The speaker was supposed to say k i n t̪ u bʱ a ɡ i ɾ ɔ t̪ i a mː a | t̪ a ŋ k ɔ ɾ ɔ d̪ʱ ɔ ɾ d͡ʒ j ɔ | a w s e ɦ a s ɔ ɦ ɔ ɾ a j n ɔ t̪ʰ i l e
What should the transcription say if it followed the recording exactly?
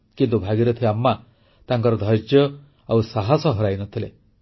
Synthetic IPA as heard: k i n t̪ u bʱ a ɡ i ɾ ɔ t̪ʰ i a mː a | t̪ a ŋ k ɔ ɾ ɔ d̪ʱ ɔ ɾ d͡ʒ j ɔ | a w s a ɦ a s ɔ ɦ ɔ ɾ a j n ɔ t̪ʰ i l e